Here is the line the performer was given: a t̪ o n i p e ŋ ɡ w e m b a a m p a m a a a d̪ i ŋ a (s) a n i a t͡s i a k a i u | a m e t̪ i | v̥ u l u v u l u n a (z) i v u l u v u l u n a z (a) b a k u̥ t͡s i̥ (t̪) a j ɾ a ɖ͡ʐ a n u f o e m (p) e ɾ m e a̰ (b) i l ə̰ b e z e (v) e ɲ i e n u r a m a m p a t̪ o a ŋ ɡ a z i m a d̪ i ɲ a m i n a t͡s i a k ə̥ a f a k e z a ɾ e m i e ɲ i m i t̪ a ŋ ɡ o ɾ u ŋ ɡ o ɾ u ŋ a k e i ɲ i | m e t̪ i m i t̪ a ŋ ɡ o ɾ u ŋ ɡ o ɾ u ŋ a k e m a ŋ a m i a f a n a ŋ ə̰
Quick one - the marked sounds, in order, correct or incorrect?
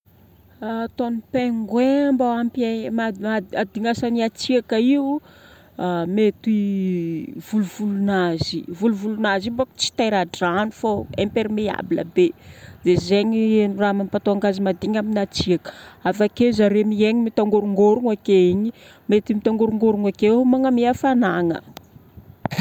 correct, correct, incorrect: i, correct, correct, correct, incorrect: z

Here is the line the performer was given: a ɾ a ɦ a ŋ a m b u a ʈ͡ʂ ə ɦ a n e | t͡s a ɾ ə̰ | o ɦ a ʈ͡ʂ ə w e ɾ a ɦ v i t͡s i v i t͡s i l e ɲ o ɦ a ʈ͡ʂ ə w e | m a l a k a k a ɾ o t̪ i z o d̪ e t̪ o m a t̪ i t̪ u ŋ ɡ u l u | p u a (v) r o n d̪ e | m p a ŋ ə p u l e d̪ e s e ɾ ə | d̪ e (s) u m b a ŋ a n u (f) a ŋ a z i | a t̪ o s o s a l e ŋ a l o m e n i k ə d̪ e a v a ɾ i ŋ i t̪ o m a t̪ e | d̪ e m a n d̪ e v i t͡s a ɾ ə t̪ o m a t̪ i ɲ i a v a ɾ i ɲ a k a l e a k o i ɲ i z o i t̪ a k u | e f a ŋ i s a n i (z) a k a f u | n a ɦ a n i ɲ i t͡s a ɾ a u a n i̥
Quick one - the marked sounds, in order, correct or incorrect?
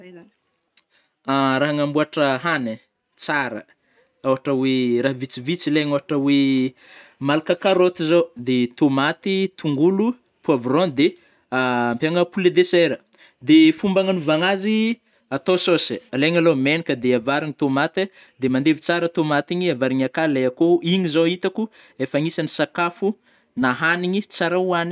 correct, incorrect: f, incorrect: v, incorrect: s

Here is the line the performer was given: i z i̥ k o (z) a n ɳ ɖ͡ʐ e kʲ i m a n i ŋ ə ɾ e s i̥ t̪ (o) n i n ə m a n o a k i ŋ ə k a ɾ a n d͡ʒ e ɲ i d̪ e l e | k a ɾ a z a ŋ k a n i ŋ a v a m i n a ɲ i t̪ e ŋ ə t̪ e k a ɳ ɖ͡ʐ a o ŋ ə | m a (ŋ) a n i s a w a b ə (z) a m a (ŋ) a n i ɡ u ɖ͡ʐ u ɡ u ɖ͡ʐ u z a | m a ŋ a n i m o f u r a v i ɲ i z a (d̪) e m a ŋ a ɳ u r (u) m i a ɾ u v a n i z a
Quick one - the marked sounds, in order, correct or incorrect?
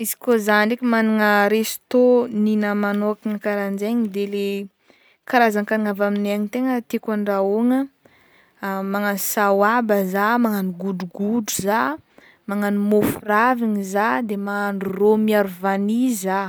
correct, correct, correct, correct, correct, correct, incorrect: o

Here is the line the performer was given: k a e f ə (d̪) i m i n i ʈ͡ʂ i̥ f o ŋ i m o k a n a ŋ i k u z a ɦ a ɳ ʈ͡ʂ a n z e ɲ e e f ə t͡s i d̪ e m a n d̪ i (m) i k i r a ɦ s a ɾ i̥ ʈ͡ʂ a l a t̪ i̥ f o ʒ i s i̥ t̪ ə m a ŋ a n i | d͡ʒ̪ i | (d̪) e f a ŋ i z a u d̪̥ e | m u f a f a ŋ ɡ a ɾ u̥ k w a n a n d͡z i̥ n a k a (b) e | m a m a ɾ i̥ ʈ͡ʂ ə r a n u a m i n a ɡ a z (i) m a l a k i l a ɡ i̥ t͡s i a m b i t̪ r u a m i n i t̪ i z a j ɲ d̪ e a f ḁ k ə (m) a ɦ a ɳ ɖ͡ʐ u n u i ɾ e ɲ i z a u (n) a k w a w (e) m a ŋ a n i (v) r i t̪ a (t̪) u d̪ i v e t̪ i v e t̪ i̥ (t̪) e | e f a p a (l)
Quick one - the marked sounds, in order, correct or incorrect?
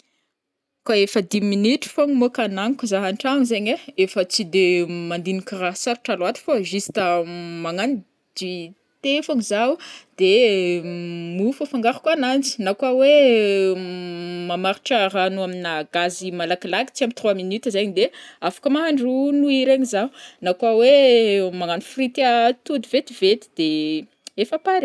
correct, incorrect: n, incorrect: t̪, incorrect: w, correct, correct, correct, correct, incorrect: f, correct, incorrect: d̪, incorrect: ɾ

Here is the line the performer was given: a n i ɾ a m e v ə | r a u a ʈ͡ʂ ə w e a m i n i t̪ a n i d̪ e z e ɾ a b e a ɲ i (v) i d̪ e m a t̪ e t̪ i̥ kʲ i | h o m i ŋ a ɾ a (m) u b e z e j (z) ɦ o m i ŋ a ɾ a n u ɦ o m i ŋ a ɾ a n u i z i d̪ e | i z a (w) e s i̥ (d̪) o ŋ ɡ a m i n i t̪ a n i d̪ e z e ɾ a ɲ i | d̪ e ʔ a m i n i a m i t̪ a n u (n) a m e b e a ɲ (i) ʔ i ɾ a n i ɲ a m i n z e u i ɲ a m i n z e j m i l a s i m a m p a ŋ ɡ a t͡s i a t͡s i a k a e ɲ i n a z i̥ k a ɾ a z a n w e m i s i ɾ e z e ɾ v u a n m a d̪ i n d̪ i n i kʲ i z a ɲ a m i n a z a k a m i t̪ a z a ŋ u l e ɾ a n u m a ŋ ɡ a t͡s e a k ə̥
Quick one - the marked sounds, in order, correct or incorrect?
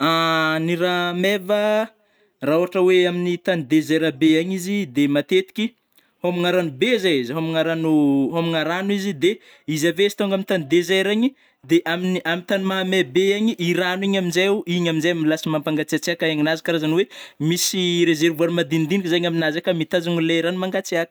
incorrect: z, incorrect: n, correct, incorrect: v, incorrect: t̪, incorrect: m, correct

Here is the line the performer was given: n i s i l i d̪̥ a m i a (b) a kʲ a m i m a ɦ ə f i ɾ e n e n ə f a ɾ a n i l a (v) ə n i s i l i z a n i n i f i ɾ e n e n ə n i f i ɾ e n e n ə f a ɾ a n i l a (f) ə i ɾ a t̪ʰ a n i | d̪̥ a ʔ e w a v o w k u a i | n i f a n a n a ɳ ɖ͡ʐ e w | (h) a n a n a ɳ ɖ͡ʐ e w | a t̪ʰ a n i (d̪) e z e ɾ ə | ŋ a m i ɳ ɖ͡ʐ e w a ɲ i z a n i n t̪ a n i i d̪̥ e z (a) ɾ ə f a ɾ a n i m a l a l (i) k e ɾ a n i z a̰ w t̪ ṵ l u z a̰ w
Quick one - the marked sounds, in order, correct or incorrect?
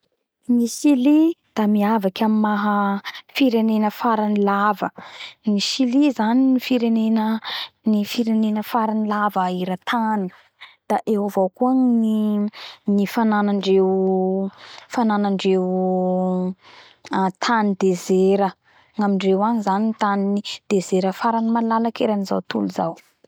incorrect: v, correct, incorrect: v, incorrect: f, correct, incorrect: e, incorrect: a

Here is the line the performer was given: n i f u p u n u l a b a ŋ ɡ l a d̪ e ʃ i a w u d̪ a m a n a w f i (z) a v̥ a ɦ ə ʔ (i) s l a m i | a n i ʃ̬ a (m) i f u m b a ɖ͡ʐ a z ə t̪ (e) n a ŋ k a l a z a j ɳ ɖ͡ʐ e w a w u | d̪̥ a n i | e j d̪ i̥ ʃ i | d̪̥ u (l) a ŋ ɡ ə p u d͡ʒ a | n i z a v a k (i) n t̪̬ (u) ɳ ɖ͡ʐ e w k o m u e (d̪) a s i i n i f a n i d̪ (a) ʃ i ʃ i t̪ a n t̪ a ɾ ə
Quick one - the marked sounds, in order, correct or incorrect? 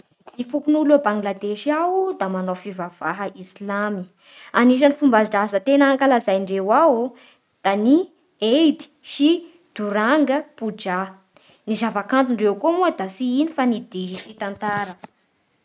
incorrect: v, correct, incorrect: n, correct, incorrect: ɾ, incorrect: a, correct, correct, incorrect: i

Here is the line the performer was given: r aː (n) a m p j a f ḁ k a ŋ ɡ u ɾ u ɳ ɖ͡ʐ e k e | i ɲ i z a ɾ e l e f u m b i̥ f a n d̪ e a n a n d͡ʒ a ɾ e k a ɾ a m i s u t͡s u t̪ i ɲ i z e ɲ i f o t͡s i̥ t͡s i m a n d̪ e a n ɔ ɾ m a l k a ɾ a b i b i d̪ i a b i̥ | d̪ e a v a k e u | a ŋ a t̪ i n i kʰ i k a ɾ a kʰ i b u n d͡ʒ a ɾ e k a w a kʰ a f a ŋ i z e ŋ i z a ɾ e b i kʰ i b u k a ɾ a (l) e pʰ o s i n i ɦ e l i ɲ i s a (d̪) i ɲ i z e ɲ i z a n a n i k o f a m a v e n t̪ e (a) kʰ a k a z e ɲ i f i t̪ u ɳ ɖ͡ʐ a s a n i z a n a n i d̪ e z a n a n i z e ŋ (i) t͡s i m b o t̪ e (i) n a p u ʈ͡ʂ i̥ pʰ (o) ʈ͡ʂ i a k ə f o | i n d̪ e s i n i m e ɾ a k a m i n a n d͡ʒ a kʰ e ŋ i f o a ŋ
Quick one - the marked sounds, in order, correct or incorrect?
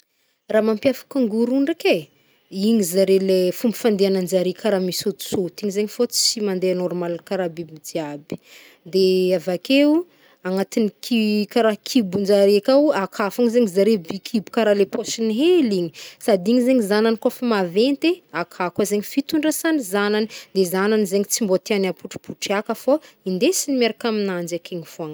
incorrect: m, correct, correct, correct, correct, incorrect: a, incorrect: u

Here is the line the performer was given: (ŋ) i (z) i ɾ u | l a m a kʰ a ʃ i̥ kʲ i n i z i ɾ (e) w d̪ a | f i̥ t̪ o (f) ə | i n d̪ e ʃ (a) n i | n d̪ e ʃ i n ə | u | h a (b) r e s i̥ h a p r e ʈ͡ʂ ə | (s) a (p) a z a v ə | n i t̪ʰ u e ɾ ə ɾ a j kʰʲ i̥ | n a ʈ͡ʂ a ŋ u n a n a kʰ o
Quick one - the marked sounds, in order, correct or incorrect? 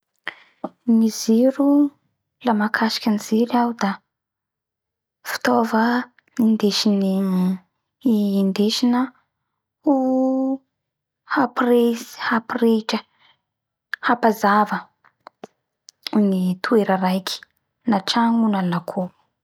incorrect: n, correct, incorrect: a, incorrect: v, incorrect: i, incorrect: p, incorrect: h, correct

